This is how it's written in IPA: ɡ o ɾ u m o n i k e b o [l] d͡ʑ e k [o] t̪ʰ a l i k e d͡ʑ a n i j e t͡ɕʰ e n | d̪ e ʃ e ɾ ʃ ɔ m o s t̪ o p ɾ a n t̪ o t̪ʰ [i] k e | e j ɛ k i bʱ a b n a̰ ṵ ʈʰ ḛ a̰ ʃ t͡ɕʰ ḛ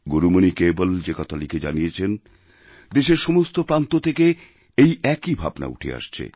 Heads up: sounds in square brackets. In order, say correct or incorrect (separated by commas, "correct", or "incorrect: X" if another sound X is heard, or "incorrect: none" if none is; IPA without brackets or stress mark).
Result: correct, incorrect: ɔ, incorrect: e